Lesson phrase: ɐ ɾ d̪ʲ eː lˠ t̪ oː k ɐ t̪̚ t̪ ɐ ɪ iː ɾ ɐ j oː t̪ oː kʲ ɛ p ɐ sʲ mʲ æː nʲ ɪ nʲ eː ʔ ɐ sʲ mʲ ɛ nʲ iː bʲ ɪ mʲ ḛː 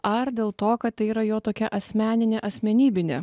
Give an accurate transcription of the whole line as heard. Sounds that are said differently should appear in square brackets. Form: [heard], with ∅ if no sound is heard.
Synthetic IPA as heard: ɐ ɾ d̪ʲ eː lˠ t̪ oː k ɐ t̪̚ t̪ ɐ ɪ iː ɾ ɐ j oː t̪ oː kʲ ɛ [ʔ] ɐ sʲ mʲ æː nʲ ɪ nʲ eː ʔ ɐ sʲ mʲ ɛ nʲ iː bʲ ɪ [nʲ] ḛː

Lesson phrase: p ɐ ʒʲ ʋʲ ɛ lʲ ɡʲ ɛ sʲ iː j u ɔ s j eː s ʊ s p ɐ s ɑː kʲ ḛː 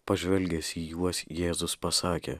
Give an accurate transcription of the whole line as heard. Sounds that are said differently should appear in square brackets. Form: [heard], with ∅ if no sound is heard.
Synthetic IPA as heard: p ɐ ʒʲ ʋʲ ɛ lʲ ɡʲ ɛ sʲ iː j u ɔ s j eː [z] ʊ s p ɐ s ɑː kʲ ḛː

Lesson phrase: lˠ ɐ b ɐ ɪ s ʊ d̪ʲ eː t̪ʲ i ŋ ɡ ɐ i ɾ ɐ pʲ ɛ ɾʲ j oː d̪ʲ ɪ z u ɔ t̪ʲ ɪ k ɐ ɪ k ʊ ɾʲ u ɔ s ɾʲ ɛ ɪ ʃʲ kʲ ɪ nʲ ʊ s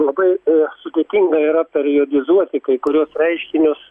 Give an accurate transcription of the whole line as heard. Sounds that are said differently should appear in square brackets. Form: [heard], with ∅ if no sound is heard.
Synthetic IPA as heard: lˠ ɐ b ɐ ɪ s ʊ d̪ʲ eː t̪ʲ i ŋ ɡ ɐ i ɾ ɐ pʲ ɛ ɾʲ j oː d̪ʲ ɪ z u ɔ t̪ʲ ɪ k ɐ ɪ k ʊ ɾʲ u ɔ s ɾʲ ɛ ɪ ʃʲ kʲ ɪ nʲ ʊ s

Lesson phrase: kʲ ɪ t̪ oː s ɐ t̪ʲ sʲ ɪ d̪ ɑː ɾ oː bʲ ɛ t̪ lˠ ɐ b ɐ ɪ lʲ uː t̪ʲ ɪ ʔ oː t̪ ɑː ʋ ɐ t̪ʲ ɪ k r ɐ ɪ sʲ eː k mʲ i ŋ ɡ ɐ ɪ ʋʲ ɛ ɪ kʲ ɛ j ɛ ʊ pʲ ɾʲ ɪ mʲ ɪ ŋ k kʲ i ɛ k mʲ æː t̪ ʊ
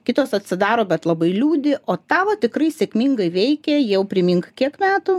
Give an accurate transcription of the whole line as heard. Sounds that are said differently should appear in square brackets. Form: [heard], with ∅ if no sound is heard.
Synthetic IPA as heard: kʲ ɪ t̪ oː s ɐ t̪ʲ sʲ ɪ d̪ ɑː ɾ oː bʲ ɛ t̪ lˠ ɐ b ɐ ɪ lʲ uː [d̪ʲ] ɪ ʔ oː t̪ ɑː ʋ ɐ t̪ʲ ɪ k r ɐ ɪ sʲ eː k mʲ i ŋ ɡ ɐ ɪ ʋʲ ɛ ɪ kʲ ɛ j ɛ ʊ pʲ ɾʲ ɪ mʲ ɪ ŋ k kʲ i ɛ k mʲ æː t̪ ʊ

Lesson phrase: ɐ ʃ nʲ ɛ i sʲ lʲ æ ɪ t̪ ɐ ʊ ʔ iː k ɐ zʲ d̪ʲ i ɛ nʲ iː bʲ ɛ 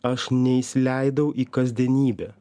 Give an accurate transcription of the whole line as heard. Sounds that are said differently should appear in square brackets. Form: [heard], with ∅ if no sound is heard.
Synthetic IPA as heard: ɐ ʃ nʲ ɛ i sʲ lʲ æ ɪ [d̪] ɐ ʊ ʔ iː k ɐ zʲ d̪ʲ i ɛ nʲ iː bʲ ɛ

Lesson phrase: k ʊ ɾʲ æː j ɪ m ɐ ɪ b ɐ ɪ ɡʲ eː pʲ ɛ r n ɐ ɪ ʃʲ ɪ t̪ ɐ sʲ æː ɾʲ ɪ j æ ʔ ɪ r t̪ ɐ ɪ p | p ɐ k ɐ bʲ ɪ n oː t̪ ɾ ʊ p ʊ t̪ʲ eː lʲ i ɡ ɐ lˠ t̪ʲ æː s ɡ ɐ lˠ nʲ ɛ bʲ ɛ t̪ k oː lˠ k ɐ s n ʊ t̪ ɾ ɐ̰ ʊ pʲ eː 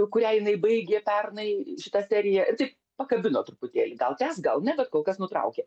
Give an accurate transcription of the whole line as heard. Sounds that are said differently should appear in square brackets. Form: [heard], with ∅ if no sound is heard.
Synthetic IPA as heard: k ʊ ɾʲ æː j ɪ [n] ɐ ɪ b ɐ ɪ ɡʲ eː pʲ ɛ r n ɐ ɪ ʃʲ ɪ t̪ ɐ sʲ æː ɾʲ ɪ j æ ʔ ɪ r t̪ ɐ ɪ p | p ɐ k ɐ bʲ ɪ n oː t̪ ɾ ʊ p ʊ t̪ʲ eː lʲ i ɡ ɐ lˠ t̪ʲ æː s ɡ ɐ lˠ nʲ ɛ bʲ ɛ t̪ k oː lˠ k ɐ s n ʊ t̪ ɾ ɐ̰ ʊ [kʲ] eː

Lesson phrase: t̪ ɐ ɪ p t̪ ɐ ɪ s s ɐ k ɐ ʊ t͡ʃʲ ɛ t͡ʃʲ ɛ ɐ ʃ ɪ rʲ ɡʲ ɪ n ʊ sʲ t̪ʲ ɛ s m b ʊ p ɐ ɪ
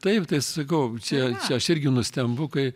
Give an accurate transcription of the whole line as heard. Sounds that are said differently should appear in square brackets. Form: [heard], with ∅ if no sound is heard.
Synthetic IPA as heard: t̪ ɐ ɪ p t̪ ɐ ɪ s s ɐ k ɐ ʊ t͡ʃʲ ɛ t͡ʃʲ ɛ ɐ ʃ ɪ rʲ ɡʲ ɪ n ʊ sʲ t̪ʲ ɛ [∅] m b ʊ [k] ɐ ɪ

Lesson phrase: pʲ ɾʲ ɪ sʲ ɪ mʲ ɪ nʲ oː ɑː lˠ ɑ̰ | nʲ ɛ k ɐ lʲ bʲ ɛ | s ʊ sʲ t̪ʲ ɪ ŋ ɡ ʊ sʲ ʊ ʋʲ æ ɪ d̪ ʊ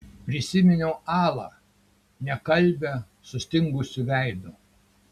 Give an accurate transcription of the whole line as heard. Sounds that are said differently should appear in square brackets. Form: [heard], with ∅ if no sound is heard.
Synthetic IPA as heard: pʲ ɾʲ ɪ sʲ ɪ mʲ ɪ nʲ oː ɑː lˠ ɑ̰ | nʲ ɛ k ɐ lʲ bʲ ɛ | s ʊ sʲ t̪ʲ ɪ ŋ ɡ ʊ sʲ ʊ ʋʲ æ ɪ d̪ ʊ

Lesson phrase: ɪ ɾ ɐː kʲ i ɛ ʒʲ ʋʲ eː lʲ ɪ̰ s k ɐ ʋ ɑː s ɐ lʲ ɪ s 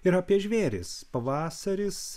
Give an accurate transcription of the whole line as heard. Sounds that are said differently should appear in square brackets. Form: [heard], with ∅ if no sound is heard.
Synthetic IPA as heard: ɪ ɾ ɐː [pʲ] i ɛ ʒʲ ʋʲ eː [ɾʲ] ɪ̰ s [p] ɐ ʋ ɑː s ɐ [ɾʲ] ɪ s

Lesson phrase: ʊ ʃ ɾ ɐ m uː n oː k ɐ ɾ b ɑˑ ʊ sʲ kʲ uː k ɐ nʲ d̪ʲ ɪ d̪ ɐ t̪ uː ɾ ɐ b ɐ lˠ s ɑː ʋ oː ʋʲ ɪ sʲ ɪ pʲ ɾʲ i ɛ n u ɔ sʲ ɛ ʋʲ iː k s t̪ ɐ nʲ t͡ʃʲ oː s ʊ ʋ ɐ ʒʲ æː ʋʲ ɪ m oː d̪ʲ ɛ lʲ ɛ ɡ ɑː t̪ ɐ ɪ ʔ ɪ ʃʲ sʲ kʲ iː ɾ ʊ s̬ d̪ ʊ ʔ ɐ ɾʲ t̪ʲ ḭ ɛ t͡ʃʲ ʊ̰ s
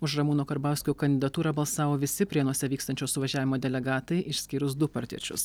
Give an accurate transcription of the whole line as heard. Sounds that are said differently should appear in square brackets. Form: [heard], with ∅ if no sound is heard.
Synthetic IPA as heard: ʊ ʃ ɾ ɐ m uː n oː k ɐ ɾ b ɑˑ ʊ sʲ kʲ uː k ɐ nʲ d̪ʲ ɪ d̪ ɐ t̪ uː ɾ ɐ b ɐ lˠ s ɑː ʋ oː ʋʲ ɪ sʲ ɪ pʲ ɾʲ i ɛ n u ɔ sʲ ɛ ʋʲ iː k s t̪ ɐ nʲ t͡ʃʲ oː s ʊ ʋ ɐ ʒʲ æː ʋʲ ɪ m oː d̪ʲ ɛ lʲ ɛ ɡ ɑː t̪ ɐ ɪ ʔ ɪ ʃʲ sʲ kʲ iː ɾ ʊ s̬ d̪ ʊ [p] ɐ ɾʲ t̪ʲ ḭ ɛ t͡ʃʲ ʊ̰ s

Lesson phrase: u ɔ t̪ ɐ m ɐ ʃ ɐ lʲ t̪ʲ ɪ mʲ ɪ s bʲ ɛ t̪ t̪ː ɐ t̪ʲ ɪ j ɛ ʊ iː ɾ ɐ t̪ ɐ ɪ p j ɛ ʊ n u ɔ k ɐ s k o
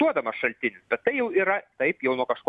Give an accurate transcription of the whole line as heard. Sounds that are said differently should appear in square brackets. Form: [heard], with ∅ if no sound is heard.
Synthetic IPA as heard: u ɔ [d̪] ɐ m ɐ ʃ ɐ lʲ t̪ʲ ɪ [nʲ] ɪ s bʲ ɛ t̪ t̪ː ɐ [∅] ɪ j ɛ ʊ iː ɾ ɐ t̪ ɐ ɪ p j ɛ ʊ n u ɔ k ɐ [ʃ] k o

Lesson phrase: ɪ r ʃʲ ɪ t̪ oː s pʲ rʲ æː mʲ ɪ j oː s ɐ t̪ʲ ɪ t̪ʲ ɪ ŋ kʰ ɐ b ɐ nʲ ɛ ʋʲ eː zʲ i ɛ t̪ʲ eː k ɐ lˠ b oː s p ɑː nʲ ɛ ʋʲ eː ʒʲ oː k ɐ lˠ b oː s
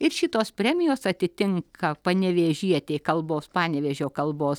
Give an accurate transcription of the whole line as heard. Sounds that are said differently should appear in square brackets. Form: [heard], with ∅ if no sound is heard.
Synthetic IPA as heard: ɪ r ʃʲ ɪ t̪ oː s pʲ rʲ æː mʲ ɪ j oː s ɐ t̪ʲ ɪ t̪ʲ ɪ ŋ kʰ ɐ [p] ɐ nʲ ɛ ʋʲ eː [ʒʲ] i ɛ t̪ʲ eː k ɐ lˠ b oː s p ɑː nʲ ɛ ʋʲ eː ʒʲ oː k ɐ lˠ b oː s

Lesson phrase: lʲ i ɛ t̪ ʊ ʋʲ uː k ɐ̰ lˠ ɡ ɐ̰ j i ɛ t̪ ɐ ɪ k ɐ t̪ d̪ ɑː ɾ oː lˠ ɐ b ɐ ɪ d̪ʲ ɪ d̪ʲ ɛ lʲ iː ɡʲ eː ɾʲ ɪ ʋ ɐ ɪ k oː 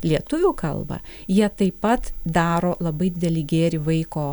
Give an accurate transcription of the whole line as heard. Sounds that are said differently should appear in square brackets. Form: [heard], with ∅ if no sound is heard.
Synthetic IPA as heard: lʲ i ɛ t̪ ʊ ʋʲ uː k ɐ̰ lˠ [b] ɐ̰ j i ɛ t̪ ɐ ɪ [p] ɐ t̪ d̪ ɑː ɾ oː lˠ ɐ b ɐ ɪ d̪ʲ ɪ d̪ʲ ɛ lʲ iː ɡʲ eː ɾʲ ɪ ʋ ɐ ɪ k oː

